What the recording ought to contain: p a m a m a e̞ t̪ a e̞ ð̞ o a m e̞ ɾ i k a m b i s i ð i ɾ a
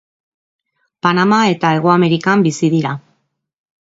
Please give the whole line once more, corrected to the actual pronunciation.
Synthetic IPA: p a n a m a e̞ t̪ a e̞ ɣ̞ o a m e̞ ɾ i k a m b i s i ð i ɾ a